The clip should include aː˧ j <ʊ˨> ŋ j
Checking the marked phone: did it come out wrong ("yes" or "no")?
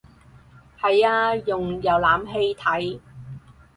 no